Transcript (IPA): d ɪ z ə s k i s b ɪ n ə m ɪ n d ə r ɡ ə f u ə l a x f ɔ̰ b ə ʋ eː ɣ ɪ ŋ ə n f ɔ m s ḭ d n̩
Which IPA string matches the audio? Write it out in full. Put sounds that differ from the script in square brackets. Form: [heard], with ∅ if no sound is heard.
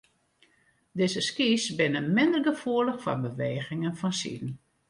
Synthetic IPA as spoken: d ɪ z ə s k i s b ɪ n ə m ɪ n d ə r ɡ ə f u ə l [ə] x f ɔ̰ b ə ʋ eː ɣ ɪ ŋ ə n f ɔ [n] s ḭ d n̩